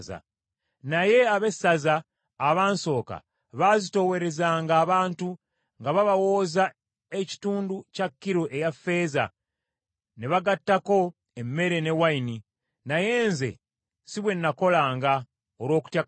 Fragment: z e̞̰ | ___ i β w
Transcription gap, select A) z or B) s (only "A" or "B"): B